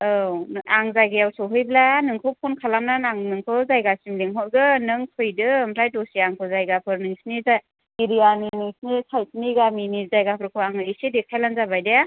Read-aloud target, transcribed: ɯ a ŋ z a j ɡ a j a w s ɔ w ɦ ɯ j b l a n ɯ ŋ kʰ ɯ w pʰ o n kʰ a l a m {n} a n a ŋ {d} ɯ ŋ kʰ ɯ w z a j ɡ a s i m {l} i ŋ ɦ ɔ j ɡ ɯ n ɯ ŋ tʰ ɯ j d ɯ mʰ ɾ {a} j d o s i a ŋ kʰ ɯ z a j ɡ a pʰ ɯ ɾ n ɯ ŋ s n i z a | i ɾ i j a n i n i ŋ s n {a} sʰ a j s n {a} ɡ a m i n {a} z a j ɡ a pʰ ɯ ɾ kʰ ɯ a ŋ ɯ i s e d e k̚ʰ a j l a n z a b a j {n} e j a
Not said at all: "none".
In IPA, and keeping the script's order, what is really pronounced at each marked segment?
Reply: n, n, l, a, i, i, i, d

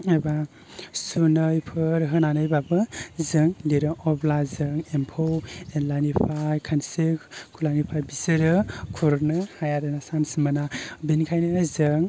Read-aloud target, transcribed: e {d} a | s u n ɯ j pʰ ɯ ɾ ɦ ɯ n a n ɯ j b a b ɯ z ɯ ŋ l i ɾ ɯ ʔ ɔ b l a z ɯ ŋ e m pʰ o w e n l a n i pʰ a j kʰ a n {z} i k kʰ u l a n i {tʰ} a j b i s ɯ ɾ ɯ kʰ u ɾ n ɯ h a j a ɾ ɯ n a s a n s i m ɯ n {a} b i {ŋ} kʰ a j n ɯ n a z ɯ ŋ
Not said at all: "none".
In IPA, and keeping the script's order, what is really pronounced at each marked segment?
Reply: b, s, pʰ, a, n

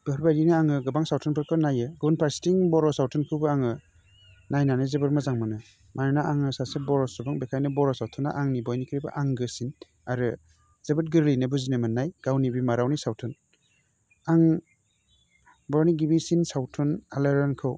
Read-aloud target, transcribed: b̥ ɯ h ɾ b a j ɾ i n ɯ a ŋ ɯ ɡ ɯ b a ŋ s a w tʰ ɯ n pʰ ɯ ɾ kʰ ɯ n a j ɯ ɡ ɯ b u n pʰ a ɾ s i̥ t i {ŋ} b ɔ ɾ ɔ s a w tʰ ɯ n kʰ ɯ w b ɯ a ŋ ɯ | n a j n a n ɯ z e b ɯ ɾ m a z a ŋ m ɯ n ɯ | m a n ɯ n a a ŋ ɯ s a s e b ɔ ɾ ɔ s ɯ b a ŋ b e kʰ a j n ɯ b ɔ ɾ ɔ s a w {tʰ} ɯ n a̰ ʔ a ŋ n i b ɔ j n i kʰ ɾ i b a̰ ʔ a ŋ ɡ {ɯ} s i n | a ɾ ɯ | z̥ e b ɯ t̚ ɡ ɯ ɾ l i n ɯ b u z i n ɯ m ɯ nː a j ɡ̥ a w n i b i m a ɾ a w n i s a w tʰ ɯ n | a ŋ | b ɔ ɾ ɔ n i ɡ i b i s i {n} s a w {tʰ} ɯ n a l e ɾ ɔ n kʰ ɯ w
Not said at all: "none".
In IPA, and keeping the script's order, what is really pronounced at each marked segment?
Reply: ŋ, tʰ, ɯ, n, tʰ

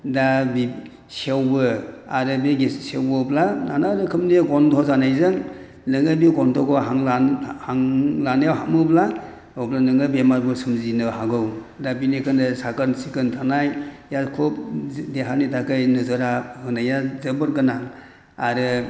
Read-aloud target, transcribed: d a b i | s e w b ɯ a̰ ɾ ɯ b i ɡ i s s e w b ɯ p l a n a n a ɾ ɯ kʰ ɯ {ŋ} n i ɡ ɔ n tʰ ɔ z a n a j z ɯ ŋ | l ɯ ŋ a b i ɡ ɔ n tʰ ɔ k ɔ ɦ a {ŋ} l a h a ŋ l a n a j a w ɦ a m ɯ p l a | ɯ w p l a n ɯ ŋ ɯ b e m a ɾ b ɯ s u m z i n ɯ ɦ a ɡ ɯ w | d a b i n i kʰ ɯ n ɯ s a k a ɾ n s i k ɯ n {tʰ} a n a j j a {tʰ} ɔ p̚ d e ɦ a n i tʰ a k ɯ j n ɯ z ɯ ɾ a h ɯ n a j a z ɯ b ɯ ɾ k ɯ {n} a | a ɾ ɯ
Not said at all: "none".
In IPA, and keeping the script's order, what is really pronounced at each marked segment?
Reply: m, ŋ, tʰ, kʰ, n

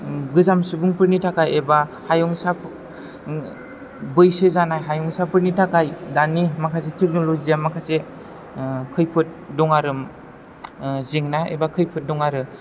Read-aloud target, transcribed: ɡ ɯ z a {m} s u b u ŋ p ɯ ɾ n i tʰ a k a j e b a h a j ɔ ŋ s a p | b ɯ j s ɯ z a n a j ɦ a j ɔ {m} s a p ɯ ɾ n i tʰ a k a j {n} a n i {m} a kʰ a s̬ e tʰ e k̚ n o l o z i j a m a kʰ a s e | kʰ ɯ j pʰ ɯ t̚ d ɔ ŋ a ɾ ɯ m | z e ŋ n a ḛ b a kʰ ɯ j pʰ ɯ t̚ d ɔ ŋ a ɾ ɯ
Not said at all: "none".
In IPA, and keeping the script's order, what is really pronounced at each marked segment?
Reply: m, ŋ, d, m

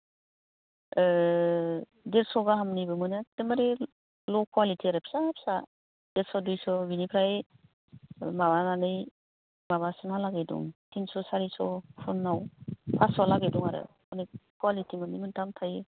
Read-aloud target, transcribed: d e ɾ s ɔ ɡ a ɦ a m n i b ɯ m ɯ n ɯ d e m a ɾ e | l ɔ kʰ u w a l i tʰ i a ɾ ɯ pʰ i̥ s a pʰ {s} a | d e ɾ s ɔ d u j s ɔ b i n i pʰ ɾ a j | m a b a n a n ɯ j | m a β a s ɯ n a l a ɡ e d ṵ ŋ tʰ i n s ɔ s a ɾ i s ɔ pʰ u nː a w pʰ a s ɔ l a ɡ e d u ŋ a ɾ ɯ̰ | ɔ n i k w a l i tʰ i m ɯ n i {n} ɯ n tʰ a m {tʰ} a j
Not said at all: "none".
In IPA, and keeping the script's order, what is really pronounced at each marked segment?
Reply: s, m, tʰ

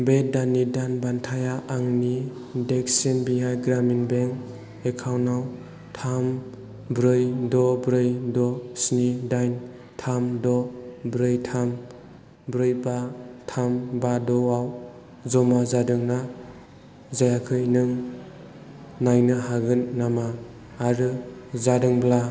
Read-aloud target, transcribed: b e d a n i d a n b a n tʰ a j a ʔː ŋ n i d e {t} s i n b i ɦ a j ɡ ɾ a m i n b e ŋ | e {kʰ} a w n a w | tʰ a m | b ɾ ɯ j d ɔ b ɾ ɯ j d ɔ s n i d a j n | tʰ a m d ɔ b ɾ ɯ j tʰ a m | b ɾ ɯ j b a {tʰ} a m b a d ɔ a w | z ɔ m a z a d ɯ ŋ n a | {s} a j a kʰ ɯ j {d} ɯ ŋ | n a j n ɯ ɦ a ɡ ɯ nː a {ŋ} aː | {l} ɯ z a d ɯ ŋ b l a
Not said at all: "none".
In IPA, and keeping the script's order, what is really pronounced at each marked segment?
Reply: k, kʰ, tʰ, z, n, m, ɾ

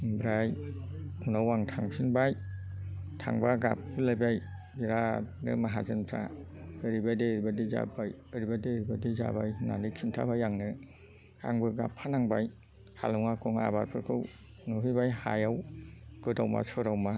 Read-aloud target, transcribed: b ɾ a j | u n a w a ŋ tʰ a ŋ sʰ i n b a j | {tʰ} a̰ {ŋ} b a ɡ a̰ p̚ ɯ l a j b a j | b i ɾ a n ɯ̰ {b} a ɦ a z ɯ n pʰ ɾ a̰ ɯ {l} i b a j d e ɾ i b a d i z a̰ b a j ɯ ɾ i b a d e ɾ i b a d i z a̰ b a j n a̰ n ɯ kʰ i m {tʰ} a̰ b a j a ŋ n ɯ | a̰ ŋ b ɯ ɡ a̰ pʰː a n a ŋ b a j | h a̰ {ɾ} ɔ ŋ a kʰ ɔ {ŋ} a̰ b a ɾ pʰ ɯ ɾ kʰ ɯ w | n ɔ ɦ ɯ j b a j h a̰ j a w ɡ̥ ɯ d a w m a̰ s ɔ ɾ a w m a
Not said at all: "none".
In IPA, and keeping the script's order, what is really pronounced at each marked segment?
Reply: tʰ, ŋ, m, ɾ, tʰ, l, ŋ

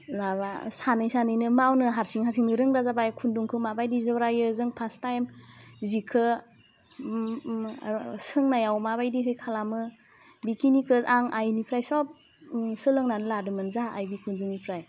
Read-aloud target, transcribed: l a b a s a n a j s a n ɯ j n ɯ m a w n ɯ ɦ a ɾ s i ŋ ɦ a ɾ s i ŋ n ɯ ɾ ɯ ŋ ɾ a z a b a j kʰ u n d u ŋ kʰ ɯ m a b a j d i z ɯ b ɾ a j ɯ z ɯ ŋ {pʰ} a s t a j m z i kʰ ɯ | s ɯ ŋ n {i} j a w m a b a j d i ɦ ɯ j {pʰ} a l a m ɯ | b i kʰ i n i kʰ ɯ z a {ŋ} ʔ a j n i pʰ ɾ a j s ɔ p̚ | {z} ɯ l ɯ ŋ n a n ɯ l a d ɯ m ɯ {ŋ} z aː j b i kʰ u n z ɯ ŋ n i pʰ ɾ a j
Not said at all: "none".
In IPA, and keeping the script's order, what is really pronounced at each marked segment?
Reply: pʰ, a, kʰ, ŋ, s, n

